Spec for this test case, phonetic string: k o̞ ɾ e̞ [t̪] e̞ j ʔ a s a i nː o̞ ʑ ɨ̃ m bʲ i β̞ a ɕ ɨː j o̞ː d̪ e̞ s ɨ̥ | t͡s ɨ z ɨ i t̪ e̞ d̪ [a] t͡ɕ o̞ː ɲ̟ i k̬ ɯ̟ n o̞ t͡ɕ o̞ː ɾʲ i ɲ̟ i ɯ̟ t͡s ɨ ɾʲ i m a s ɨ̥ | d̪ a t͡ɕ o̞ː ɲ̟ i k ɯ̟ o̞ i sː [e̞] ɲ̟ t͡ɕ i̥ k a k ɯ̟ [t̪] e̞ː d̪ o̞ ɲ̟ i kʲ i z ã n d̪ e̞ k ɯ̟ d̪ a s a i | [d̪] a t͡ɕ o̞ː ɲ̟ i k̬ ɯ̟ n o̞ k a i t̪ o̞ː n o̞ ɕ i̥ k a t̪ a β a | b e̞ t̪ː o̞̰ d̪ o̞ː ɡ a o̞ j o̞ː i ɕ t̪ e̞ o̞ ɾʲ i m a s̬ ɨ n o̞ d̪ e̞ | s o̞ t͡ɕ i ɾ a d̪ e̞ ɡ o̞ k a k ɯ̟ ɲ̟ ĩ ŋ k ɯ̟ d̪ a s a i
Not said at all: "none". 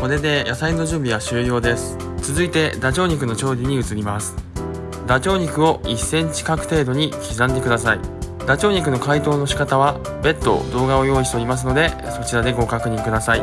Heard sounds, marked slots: d̪, a, ẽ̞, t̪, d̪

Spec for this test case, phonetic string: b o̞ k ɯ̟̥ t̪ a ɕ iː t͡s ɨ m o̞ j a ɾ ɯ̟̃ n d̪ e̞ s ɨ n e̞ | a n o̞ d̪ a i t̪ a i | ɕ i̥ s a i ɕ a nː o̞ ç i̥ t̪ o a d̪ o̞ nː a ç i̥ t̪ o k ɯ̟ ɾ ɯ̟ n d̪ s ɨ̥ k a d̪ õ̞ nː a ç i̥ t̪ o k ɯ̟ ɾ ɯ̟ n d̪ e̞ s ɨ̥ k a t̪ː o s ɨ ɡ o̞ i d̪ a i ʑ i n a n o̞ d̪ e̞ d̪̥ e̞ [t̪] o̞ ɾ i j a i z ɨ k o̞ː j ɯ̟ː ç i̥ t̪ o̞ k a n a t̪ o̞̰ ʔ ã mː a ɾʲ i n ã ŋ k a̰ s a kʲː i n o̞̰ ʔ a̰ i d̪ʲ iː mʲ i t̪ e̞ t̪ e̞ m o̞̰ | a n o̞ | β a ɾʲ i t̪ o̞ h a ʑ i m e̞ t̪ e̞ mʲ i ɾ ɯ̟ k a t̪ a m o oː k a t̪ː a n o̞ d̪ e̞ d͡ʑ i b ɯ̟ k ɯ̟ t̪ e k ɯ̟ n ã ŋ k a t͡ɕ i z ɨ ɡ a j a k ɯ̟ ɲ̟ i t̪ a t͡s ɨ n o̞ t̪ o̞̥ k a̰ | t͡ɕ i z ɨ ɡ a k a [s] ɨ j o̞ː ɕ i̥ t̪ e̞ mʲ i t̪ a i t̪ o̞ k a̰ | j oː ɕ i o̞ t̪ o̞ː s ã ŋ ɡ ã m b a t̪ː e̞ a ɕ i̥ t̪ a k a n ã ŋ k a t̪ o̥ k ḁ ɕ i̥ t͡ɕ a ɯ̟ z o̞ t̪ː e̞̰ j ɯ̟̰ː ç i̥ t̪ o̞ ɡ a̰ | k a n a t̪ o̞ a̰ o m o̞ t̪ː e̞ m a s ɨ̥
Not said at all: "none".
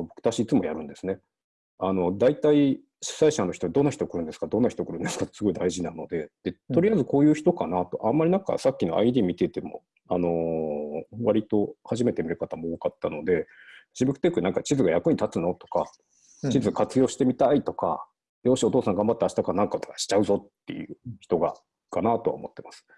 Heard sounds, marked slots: t̪, t͡s

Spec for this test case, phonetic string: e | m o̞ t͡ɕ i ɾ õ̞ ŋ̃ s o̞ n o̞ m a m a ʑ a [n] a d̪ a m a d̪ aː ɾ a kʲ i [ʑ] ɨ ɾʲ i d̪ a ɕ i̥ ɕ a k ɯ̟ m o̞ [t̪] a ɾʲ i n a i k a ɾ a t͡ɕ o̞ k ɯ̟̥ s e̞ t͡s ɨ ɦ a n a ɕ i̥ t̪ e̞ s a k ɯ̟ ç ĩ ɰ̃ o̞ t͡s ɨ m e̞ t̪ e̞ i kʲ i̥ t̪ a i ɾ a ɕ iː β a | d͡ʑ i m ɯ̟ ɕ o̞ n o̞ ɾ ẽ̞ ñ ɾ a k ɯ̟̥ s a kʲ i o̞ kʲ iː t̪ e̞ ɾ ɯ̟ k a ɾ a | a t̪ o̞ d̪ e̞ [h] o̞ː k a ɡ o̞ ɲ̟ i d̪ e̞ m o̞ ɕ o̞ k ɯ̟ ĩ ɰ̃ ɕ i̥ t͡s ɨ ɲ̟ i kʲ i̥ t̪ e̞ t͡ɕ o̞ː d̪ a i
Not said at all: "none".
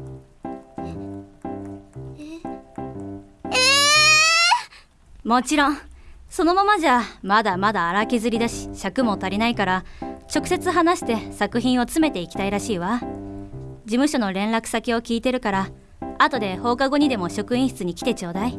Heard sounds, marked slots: m, z, t̪, h

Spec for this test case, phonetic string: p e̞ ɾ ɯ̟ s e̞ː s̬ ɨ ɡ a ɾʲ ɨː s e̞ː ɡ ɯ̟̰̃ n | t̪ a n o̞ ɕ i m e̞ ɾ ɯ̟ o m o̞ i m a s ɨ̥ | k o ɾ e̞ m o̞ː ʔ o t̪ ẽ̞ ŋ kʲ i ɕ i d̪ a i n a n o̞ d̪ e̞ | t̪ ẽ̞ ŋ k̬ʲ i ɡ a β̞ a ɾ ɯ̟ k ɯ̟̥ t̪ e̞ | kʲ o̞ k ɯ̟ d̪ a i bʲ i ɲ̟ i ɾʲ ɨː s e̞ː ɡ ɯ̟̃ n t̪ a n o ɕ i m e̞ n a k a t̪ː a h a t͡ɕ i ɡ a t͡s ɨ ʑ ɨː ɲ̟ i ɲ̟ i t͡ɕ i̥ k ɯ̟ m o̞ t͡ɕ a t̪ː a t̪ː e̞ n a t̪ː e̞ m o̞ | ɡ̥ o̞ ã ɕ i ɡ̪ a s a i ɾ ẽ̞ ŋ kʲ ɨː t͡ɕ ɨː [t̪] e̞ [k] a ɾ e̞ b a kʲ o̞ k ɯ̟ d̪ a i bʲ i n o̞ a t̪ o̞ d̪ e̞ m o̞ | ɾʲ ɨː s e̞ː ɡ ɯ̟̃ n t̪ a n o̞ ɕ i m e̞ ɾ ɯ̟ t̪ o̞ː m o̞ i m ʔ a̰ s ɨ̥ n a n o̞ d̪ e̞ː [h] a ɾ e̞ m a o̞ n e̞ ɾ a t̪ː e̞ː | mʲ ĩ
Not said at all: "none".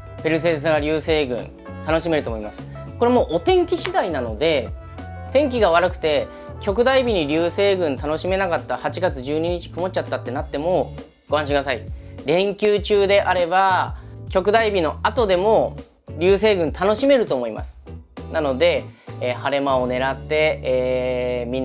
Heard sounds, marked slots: d̪, ʔ, h

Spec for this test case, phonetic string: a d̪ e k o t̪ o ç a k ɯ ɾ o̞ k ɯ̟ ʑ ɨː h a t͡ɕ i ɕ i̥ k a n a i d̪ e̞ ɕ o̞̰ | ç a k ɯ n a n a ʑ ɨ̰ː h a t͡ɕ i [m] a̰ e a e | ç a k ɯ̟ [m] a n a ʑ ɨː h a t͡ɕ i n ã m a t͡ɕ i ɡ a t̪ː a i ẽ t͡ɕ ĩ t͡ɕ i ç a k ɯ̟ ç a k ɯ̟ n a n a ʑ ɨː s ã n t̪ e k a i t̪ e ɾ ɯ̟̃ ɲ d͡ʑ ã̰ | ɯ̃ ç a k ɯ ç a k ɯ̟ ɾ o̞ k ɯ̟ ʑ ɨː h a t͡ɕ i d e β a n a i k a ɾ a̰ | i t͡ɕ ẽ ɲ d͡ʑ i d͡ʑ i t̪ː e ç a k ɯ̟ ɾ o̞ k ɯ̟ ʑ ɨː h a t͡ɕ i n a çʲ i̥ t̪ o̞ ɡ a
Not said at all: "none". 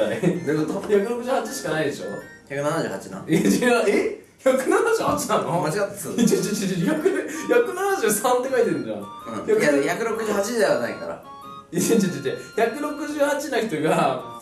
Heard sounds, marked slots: n, n

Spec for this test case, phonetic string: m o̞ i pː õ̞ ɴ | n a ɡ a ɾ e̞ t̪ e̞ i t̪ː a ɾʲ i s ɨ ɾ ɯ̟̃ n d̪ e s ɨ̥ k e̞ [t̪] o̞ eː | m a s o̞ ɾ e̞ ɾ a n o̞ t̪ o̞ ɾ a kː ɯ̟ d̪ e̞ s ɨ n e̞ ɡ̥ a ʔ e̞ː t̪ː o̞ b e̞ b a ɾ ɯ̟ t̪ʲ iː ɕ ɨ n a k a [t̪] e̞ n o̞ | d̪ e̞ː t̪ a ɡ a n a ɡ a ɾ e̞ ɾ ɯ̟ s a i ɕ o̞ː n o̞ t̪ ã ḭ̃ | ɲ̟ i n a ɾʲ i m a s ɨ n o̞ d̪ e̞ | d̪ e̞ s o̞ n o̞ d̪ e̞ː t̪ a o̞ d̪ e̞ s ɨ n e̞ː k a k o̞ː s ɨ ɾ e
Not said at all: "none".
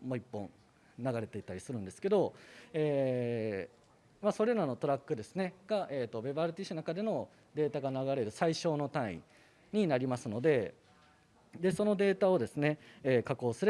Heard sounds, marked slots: d̪, d̪

